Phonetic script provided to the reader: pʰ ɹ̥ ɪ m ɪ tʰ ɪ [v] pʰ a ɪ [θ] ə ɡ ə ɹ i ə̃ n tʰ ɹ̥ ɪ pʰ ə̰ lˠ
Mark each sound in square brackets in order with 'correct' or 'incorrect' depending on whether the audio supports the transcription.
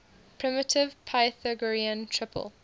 correct, correct

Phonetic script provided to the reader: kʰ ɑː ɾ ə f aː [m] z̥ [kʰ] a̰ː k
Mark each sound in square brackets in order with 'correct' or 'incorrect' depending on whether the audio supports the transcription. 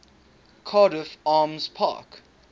correct, incorrect

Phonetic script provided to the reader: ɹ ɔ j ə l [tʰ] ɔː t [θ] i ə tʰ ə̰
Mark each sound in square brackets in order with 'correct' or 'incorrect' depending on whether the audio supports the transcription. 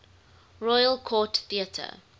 incorrect, correct

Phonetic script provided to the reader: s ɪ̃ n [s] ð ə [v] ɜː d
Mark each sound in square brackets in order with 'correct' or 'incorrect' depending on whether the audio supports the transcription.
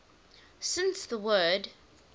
correct, incorrect

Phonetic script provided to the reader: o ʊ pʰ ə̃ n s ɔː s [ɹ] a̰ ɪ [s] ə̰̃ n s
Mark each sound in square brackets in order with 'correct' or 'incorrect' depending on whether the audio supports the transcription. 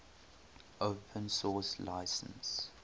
incorrect, correct

